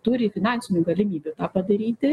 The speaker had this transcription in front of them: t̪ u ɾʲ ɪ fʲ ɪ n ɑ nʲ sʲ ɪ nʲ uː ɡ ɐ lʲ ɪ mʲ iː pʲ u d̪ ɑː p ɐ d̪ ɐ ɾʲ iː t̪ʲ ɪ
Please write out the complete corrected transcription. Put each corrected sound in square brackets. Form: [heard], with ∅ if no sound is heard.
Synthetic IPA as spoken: t̪ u ɾʲ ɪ fʲ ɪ n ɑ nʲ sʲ ɪ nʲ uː ɡ ɐ lʲ ɪ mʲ iː [bʲ] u [t̪] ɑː p ɐ d̪ ɐ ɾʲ iː t̪ʲ ɪ